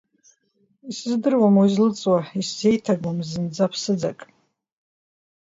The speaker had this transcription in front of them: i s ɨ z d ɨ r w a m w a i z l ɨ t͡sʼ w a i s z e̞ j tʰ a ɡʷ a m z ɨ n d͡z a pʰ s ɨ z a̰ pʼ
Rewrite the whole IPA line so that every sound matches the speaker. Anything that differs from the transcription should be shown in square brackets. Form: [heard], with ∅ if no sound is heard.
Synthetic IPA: i s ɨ z d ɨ r w a m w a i z l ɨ t͡sʼ w a i s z e̞ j tʰ a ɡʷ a m z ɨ n d͡z a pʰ s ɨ [d͡z] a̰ [kʼ]